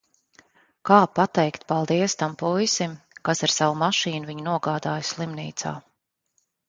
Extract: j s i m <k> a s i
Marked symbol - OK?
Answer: yes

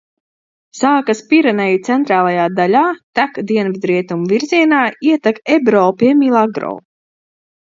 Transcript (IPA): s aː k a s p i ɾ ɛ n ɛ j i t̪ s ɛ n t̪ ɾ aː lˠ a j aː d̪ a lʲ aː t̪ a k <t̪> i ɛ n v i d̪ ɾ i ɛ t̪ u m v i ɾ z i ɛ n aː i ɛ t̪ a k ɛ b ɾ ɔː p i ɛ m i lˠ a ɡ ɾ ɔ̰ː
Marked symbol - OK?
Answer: no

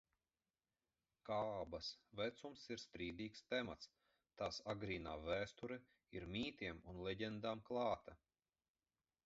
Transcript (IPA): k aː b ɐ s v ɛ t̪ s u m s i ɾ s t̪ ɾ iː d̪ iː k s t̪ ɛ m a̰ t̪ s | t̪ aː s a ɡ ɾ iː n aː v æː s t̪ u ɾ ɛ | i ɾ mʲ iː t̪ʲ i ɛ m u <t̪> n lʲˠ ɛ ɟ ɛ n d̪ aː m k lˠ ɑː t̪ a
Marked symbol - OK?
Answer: no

